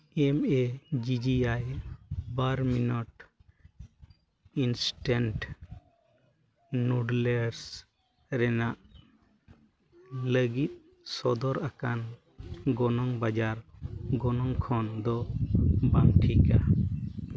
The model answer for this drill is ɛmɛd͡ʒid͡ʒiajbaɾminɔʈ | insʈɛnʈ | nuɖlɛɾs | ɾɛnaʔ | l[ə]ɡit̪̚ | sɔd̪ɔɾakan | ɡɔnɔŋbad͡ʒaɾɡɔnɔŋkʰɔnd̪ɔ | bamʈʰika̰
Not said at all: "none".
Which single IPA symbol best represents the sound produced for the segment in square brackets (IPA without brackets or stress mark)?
ə